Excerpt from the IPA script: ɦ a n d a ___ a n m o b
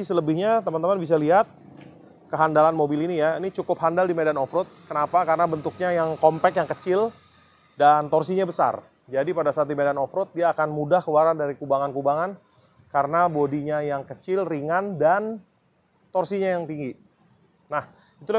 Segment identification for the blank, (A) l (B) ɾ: A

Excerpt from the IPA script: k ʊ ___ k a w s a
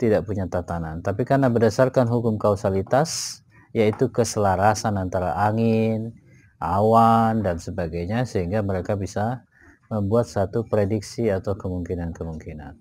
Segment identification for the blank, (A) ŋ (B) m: B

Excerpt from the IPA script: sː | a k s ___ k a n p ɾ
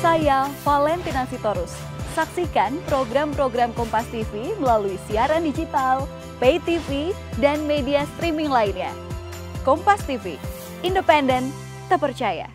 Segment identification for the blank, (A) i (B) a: A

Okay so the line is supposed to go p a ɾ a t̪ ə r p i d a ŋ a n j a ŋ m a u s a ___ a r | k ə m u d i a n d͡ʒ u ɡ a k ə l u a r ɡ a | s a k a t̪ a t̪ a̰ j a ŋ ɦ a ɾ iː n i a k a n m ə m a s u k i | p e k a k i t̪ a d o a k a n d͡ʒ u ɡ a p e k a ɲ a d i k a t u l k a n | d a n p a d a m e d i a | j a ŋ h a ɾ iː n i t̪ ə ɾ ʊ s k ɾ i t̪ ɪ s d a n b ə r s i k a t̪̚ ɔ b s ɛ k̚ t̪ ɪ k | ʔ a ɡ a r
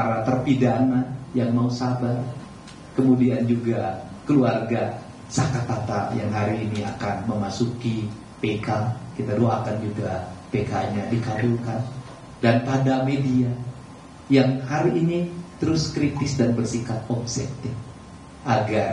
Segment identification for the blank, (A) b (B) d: A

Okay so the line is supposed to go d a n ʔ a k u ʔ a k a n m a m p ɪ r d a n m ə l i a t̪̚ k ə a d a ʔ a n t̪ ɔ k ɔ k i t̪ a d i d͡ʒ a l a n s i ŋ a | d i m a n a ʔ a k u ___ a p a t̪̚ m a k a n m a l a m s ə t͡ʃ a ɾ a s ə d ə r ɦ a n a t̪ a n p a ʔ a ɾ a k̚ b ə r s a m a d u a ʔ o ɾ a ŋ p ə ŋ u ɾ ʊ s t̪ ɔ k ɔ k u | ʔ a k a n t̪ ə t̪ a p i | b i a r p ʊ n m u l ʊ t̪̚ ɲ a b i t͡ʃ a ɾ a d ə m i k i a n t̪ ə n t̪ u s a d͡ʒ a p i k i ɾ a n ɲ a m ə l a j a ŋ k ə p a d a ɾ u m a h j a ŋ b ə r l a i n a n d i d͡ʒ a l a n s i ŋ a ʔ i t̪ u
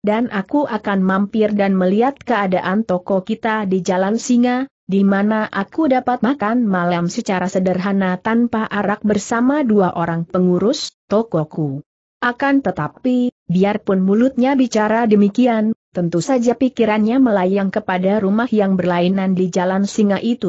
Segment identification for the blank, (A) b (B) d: B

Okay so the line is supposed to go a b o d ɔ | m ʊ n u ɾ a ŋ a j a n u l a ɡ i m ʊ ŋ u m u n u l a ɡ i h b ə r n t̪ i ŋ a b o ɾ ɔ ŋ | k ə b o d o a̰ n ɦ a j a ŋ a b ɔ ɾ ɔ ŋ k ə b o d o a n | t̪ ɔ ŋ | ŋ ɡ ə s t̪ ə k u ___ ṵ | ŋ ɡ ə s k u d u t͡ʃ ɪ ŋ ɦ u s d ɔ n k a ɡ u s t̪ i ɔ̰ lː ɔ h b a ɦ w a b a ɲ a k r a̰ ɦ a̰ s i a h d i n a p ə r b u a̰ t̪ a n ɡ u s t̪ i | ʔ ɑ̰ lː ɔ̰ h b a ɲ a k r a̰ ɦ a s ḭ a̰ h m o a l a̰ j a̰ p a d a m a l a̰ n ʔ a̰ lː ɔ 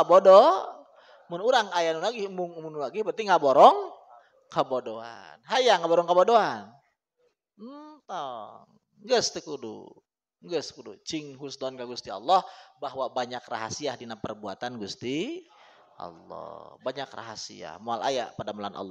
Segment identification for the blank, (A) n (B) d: B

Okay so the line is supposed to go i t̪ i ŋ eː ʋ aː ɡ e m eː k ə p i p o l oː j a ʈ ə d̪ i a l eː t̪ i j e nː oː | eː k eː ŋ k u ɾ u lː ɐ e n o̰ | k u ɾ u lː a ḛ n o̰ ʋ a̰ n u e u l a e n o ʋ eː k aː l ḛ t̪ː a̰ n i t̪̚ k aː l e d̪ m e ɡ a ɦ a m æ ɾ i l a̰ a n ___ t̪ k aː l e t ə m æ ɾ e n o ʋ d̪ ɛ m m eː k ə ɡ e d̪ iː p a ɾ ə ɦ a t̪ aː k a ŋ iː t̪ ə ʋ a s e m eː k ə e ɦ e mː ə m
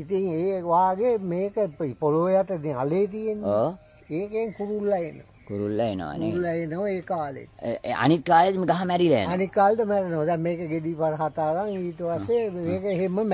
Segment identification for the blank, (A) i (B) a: A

